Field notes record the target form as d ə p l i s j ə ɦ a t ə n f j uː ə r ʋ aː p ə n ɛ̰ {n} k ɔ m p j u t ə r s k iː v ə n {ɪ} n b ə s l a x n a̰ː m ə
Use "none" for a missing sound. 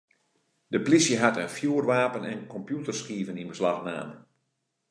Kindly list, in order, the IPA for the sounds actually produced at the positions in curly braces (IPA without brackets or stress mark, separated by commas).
n, i